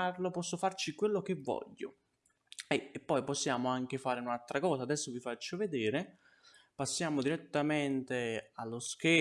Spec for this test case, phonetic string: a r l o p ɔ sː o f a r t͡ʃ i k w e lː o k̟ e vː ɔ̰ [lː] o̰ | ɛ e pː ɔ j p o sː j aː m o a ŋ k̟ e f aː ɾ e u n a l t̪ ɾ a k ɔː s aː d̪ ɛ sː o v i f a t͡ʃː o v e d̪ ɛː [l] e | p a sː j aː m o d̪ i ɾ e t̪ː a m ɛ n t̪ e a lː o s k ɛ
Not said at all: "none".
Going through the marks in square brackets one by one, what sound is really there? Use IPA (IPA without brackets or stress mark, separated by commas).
ʎː, ɾ